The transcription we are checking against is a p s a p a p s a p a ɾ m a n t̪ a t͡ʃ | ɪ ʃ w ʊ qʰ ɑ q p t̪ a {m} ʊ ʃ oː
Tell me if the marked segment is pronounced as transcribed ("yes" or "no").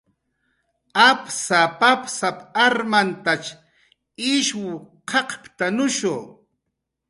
no